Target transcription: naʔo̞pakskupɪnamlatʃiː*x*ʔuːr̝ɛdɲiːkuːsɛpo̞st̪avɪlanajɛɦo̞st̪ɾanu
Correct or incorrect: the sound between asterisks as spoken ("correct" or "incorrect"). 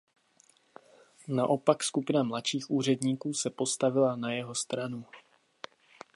correct